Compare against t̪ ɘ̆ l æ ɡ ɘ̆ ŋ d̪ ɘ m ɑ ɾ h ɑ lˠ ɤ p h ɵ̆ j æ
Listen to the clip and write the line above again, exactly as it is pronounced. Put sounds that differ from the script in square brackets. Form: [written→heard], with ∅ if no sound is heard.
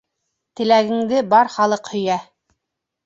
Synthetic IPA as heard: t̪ ɘ̆ l æ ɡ ɘ̆ ŋ d̪ ɘ [m→b] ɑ ɾ [h→χ] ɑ lˠ ɤ [p→q] h ɵ̆ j æ